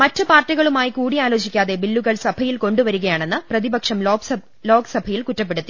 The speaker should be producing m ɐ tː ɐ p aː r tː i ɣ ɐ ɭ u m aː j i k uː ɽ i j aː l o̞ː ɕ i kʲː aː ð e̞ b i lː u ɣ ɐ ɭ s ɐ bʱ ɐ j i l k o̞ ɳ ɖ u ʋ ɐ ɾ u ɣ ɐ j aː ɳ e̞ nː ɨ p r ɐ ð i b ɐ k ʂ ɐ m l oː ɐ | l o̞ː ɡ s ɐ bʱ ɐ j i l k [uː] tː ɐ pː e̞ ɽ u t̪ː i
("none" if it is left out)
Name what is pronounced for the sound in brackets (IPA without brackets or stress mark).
u